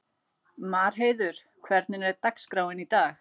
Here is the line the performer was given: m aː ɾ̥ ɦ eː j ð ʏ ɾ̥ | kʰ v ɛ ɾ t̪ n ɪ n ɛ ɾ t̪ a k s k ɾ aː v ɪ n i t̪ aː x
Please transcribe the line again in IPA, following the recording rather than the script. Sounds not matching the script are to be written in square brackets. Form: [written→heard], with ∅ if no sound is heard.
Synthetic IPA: m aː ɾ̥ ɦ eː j ð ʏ ɾ̥ | kʰ v ɛ ɾ t̪ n ɪ n ɛ ɾ t̪ a k s k ɾ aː [v→w] ɪ n i t̪ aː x